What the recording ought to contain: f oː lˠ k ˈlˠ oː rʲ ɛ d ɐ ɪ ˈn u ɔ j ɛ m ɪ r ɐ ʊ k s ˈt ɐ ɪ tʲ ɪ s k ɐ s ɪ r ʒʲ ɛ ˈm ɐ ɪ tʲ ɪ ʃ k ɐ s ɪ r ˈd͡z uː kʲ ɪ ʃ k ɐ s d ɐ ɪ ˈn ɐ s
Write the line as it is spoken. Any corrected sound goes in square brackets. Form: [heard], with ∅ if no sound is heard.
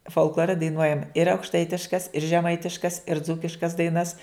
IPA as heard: f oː lˠ k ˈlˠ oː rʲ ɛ d ɐ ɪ ˈn u ɔ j ɛ m ɪ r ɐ ʊ k [ʃ] ˈt ɐ ɪ tʲ ɪ [ʃ] k ɐ s ɪ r ʒʲ ɛ ˈm ɐ ɪ tʲ ɪ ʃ k ɐ s ɪ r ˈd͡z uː kʲ ɪ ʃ k ɐ s d ɐ ɪ ˈn ɐ s

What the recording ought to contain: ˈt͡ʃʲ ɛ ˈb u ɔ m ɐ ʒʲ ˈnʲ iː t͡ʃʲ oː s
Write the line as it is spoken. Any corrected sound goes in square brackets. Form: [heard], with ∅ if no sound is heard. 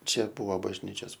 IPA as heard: ˈt͡ʃʲ ɛ ˈb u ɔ [b] ɐ ʒʲ ˈnʲ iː t͡ʃʲ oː s

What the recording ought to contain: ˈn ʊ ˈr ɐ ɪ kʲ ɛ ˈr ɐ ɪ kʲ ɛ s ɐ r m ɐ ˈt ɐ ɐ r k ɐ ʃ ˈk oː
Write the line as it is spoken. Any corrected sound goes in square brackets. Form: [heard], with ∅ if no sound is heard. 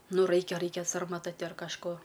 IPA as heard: ˈn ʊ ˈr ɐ ɪ kʲ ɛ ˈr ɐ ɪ kʲ ɛ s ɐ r m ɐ ˈt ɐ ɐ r k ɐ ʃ ˈk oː

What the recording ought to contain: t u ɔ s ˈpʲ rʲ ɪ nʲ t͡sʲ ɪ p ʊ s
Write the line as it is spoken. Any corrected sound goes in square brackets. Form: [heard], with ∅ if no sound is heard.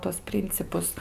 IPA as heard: t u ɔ s ˈpʲ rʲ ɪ nʲ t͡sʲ ɪ p ʊ s

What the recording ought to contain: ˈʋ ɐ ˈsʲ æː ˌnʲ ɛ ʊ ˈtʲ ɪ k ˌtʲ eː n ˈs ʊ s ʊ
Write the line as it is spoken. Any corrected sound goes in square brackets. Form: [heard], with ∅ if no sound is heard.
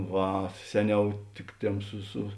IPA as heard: ˈʋ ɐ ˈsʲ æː ˌnʲ ɛ ʊ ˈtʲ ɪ k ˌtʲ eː [m] ˈs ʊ s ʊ

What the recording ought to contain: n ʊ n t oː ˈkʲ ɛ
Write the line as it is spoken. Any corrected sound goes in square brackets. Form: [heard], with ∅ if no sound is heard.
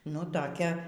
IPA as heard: n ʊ [∅] t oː ˈkʲ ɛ

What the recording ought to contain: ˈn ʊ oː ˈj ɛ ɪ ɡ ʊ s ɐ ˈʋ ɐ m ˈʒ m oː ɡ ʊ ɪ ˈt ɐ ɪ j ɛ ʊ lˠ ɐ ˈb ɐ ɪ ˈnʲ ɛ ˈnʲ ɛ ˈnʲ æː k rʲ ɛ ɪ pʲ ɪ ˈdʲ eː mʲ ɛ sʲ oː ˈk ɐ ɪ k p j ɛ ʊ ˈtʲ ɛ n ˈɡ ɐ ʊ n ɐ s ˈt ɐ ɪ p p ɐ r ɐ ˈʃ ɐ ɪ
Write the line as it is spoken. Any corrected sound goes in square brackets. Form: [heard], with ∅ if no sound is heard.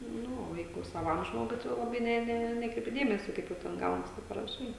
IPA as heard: ˈn ʊ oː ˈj ɛ ɪ ɡ ʊ s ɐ ˈʋ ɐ m ˈʒ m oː ɡ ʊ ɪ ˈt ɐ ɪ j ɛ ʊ lˠ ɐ ˈb ɐ ɪ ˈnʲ ɛ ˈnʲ ɛ ˈnʲ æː k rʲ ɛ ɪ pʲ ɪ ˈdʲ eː mʲ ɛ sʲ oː ˈk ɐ ɪ [∅] p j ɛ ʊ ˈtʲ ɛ n ˈɡ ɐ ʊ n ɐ s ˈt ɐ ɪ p p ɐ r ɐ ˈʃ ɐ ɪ

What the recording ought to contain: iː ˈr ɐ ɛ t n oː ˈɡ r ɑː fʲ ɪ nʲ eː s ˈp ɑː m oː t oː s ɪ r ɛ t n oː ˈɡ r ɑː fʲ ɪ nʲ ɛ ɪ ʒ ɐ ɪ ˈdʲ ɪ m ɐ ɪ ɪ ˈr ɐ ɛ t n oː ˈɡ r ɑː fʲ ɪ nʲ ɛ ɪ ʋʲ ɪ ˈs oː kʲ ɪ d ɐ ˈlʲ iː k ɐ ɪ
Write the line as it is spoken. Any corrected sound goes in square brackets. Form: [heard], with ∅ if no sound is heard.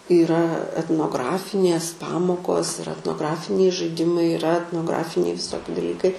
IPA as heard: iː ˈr ɐ ɛ t n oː ˈɡ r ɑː fʲ ɪ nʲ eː s ˈp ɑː m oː [k] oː s ɪ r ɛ t n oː ˈɡ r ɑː fʲ ɪ nʲ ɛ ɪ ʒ ɐ ɪ ˈdʲ ɪ m ɐ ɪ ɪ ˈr ɐ ɛ t n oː ˈɡ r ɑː fʲ ɪ nʲ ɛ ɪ ʋʲ ɪ ˈs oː kʲ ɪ d ɐ ˈlʲ iː k ɐ ɪ

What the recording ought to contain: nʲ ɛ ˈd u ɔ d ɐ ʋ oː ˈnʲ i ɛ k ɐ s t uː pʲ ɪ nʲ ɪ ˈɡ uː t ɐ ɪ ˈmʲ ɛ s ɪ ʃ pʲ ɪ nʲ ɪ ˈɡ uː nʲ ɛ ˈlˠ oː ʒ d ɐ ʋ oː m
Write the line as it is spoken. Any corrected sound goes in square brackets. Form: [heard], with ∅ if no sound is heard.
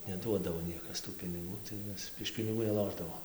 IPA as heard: nʲ ɛ ˈd u ɔ d ɐ ʋ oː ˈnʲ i ɛ k ɐ s t uː pʲ ɪ nʲ ɪ ˈɡ uː t ɐ ɪ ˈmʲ ɛ s ɪ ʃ pʲ ɪ nʲ ɪ ˈɡ uː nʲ ɛ ˈlˠ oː ʒ d ɐ ʋ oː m

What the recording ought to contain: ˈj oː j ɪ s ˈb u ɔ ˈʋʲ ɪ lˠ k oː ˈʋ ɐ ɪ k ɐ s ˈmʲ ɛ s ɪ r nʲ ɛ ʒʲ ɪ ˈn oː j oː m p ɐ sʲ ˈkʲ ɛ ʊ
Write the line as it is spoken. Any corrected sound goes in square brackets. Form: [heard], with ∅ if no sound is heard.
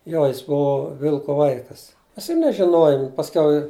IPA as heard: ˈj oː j ɪ s ˈb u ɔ ˈʋʲ ɪ lˠ k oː ˈʋ ɐ ɪ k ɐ s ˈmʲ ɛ s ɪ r nʲ ɛ ʒʲ ɪ ˈn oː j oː m p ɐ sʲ ˈkʲ ɛ ʊ

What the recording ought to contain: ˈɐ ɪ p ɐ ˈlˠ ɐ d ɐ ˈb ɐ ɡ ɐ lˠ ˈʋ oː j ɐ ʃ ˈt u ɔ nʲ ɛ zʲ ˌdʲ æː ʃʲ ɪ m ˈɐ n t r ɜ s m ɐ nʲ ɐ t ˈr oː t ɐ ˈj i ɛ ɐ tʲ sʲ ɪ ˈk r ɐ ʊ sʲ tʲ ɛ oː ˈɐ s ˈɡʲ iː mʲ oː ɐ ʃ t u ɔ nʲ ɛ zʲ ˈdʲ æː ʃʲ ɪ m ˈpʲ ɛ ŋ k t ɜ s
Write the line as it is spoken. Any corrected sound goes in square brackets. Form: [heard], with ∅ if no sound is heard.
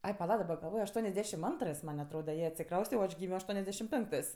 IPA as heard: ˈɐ ɪ p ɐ ˈlˠ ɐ d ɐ ˈb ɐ ɡ ɐ lˠ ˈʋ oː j ɐ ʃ ˈt u ɔ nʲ ɛ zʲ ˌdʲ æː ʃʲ ɪ m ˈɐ n t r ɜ s m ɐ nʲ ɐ t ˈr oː [d] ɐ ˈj i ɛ ɐ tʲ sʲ ɪ ˈk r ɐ ʊ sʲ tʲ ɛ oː ˈɐ [ʃ] ˈɡʲ iː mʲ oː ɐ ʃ t u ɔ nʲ ɛ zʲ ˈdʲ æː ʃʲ ɪ m ˈpʲ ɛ ŋ k t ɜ s

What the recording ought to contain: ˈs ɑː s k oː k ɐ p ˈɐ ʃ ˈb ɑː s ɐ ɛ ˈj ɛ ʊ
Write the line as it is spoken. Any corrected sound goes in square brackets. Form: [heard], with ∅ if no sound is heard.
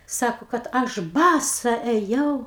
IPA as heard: ˈs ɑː [∅] k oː k ɐ [t] ˈɐ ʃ ˈb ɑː s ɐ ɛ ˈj ɛ ʊ

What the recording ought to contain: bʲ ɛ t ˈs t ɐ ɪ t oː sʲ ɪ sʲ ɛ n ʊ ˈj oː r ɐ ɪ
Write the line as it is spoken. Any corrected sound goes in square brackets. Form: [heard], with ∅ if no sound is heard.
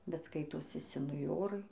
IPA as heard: bʲ ɛ t ˈs [k] ɐ ɪ t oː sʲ ɪ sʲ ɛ n ʊ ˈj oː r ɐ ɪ

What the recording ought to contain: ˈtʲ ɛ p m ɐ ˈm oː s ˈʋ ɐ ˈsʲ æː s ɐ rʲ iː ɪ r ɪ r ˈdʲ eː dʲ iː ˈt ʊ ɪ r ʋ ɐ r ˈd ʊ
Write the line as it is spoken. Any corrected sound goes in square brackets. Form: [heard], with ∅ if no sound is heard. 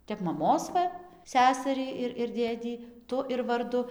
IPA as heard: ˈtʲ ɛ p m ɐ ˈm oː s ˈʋ ɐ ˈsʲ æː s ɐ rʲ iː ɪ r ɪ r ˈdʲ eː dʲ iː ˈt ʊ ɪ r ʋ ɐ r ˈd ʊ

